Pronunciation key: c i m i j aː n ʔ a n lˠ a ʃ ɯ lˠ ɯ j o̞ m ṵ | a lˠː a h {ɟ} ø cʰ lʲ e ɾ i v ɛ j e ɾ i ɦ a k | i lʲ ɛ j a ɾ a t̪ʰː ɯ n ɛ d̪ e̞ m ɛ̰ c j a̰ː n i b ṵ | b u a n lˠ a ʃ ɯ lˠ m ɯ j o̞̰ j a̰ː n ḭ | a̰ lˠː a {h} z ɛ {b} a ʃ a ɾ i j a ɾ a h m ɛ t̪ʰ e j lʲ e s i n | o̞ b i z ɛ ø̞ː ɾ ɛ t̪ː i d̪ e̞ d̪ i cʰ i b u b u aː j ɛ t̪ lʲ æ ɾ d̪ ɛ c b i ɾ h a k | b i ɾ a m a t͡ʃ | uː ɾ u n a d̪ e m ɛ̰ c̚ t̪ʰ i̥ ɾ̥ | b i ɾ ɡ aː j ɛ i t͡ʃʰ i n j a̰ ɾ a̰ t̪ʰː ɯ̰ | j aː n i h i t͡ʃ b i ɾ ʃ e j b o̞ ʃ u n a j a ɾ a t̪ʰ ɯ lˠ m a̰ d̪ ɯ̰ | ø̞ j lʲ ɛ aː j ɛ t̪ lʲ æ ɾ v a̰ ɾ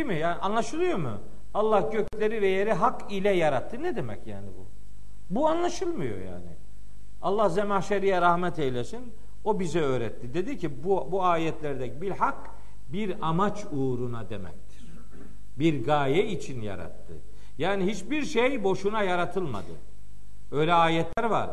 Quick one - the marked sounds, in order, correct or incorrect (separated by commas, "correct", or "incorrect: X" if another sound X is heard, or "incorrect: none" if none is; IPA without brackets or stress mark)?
correct, correct, incorrect: m